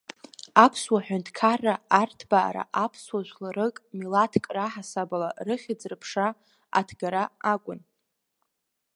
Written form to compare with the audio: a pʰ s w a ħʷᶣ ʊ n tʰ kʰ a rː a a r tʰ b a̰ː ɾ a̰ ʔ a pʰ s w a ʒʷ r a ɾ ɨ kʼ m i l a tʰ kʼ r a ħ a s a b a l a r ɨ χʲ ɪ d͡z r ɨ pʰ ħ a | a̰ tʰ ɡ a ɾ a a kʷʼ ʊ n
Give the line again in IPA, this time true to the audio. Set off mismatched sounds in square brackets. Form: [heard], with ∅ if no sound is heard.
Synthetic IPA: a pʰ s w a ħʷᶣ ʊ n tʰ kʰ a rː a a r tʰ b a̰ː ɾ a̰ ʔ a pʰ s w a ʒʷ [l] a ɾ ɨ kʼ m i l a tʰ kʼ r a ħ a s a b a l a r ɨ χʲ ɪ d͡z r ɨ pʰ [ʂ] a | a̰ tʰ ɡ a ɾ a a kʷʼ ʊ n